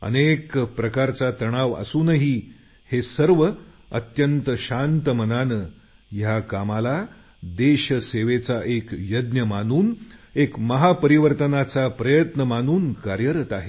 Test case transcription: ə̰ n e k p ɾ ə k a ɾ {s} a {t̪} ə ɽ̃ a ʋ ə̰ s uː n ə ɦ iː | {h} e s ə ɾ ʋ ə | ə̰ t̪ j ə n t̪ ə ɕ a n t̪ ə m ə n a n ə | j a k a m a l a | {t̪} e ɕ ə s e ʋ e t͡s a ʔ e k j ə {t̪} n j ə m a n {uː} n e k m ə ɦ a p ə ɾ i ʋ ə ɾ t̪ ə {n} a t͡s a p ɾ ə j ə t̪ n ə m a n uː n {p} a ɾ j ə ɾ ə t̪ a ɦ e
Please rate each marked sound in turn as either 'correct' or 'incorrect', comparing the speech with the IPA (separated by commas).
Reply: incorrect, correct, correct, incorrect, incorrect, correct, correct, incorrect